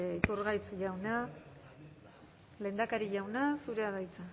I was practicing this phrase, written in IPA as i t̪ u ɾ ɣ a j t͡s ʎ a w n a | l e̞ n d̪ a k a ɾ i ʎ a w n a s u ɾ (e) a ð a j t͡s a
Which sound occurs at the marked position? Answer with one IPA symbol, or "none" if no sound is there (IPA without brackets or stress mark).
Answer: e